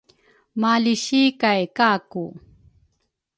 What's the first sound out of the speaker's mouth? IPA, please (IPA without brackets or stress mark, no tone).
m